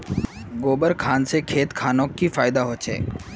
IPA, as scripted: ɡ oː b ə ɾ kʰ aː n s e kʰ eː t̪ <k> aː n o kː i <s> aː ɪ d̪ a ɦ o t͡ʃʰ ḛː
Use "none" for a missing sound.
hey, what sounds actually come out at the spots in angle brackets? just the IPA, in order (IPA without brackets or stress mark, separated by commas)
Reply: kʰ, f